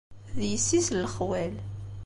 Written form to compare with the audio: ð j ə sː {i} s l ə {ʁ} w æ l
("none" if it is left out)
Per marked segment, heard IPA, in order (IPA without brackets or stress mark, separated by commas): i, χ